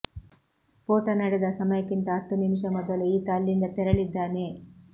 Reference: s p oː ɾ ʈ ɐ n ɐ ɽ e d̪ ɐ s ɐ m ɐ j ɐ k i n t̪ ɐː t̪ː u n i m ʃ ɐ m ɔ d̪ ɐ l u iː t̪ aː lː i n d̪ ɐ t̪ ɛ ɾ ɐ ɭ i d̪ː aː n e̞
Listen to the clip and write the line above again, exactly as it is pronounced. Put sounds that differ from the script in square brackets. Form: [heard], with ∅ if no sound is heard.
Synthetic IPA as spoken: s p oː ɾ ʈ ɐ n ɐ ɽ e d̪ ɐ s ɐ m ɐ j ɐ k i n t̪ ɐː t̪ː u n i m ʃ ɐ m ɔ d̪ ɐ l u iː t̪ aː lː i n d̪ ɐ t̪ ɛ ɾ ɐ ɭ i d̪ː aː n e̞